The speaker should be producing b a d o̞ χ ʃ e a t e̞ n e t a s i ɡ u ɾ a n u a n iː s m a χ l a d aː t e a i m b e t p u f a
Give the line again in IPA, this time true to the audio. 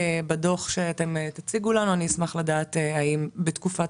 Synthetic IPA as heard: b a d o̞ χ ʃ e a t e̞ m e t a t͡s i ɡ u l a n u a n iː s m a χ l a d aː t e a i m b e t k u f a